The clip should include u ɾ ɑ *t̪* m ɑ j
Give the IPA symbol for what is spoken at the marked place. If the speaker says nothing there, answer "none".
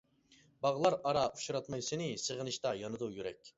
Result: t̪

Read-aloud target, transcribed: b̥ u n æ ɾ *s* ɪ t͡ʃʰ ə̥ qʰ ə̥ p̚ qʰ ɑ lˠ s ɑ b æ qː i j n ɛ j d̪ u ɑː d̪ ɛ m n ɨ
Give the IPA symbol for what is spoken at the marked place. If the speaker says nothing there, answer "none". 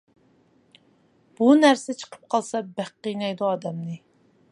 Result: s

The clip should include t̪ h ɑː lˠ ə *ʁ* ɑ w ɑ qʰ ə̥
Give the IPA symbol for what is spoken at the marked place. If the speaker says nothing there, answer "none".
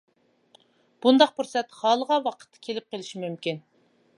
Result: ʁ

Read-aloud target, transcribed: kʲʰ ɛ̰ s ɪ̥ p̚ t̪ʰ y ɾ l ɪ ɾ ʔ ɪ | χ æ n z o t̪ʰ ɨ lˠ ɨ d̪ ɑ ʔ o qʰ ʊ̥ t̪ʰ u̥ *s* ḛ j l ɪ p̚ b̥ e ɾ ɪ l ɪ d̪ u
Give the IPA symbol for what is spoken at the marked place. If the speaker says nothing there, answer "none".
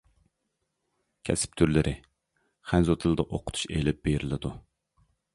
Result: ʃ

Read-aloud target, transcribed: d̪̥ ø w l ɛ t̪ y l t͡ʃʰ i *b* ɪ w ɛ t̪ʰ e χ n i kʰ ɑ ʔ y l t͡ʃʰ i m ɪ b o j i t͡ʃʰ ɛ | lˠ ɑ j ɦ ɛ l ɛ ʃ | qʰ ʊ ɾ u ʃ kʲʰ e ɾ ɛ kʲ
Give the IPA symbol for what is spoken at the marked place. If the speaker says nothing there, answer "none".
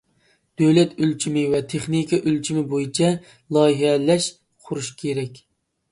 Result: m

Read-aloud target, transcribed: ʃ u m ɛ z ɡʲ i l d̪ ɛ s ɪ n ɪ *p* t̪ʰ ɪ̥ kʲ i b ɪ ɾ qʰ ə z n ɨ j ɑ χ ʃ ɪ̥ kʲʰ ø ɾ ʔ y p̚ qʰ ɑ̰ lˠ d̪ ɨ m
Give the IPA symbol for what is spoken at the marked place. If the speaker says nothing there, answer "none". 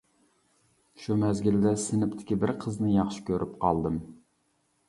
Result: p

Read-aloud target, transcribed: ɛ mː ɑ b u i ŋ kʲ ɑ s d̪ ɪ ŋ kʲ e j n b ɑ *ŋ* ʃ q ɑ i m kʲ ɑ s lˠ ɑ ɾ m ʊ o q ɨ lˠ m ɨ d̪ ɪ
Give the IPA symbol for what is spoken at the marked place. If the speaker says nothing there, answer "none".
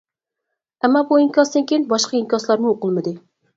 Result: none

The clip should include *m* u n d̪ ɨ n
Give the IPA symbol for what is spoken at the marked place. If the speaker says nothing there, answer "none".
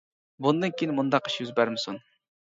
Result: b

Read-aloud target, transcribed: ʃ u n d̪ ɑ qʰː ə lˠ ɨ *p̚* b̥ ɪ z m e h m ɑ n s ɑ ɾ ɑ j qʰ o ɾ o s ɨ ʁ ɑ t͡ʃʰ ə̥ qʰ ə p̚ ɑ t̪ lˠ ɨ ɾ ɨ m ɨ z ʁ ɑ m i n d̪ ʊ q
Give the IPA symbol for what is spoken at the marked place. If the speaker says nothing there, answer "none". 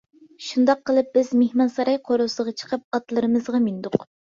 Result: p̚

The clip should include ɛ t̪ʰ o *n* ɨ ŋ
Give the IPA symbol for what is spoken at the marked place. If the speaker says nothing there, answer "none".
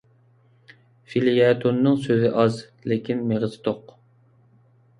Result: nː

